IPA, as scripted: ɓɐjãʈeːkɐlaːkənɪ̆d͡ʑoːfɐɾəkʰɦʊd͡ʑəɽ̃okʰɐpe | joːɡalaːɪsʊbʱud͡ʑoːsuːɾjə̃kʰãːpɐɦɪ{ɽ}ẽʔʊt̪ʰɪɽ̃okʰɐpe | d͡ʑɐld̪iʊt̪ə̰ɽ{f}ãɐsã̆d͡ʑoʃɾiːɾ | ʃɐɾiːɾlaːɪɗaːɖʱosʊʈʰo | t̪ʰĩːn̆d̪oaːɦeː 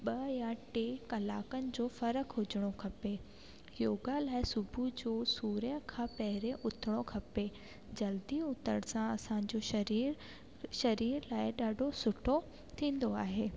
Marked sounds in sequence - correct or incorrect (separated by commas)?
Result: incorrect, incorrect